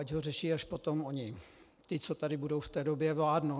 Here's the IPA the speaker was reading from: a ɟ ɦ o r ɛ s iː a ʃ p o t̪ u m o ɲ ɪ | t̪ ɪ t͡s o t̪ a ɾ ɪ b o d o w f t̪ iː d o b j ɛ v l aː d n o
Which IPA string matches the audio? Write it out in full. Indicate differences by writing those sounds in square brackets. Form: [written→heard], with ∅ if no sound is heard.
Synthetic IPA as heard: a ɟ ɦ o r ɛ [s→ʃ] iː a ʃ p o t̪ [u→o] m o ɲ ɪ | t̪ ɪ t͡s o t̪ a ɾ ɪ b [o→u] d o w f t̪ [iː→ɛː] d o b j ɛ v l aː d n o